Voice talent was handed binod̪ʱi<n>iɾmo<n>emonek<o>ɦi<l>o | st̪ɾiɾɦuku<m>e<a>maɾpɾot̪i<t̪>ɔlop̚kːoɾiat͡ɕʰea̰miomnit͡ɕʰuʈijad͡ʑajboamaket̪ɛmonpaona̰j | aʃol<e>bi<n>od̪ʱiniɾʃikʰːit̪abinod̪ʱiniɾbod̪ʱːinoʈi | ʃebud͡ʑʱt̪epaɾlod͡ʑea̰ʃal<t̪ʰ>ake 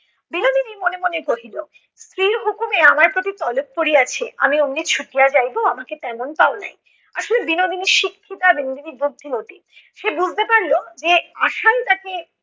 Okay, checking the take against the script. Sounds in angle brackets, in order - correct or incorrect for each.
correct, correct, correct, correct, correct, correct, correct, correct, correct, incorrect

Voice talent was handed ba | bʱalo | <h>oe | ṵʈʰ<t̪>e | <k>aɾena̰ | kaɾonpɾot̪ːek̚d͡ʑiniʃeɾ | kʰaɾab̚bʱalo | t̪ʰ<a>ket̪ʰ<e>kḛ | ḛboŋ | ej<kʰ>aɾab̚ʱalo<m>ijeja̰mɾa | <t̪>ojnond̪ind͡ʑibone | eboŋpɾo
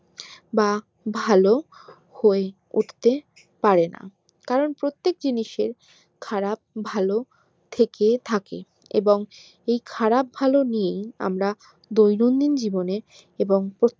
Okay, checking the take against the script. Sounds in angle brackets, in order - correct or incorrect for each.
correct, correct, incorrect, incorrect, incorrect, correct, incorrect, incorrect

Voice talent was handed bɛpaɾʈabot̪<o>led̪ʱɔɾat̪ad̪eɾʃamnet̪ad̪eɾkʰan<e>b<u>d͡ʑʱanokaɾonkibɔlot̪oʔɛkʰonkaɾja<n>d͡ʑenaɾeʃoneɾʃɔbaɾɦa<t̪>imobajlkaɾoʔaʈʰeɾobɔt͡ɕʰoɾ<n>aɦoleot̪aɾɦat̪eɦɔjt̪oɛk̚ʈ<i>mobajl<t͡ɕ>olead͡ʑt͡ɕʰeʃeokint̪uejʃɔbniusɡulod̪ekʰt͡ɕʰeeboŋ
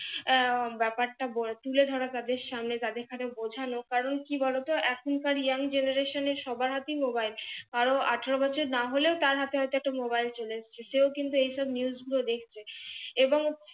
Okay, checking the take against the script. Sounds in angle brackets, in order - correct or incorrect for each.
incorrect, correct, incorrect, incorrect, correct, correct, incorrect, correct

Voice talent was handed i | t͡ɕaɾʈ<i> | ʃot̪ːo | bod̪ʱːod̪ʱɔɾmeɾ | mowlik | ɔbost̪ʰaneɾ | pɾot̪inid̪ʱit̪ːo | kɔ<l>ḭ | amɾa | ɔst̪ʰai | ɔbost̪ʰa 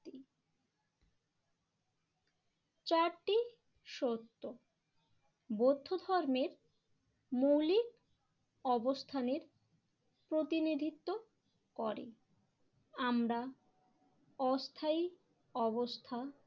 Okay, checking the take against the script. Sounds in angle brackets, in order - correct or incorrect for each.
correct, incorrect

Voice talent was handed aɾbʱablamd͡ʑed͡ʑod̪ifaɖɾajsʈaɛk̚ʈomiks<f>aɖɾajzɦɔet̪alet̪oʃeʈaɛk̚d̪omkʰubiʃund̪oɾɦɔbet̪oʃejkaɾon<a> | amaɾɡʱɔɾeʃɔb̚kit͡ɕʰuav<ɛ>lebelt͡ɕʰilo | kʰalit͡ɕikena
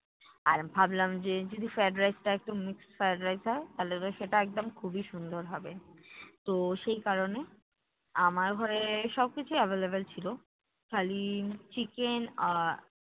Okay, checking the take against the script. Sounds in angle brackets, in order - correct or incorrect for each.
correct, incorrect, incorrect

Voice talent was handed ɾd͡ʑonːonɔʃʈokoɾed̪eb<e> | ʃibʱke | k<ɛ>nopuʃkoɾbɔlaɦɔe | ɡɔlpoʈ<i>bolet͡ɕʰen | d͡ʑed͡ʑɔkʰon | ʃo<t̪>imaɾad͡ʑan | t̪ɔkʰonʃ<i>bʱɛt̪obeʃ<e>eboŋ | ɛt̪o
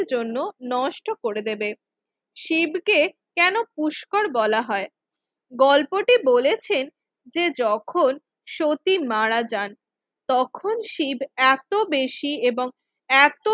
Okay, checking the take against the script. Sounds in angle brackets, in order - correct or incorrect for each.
correct, correct, correct, correct, correct, incorrect

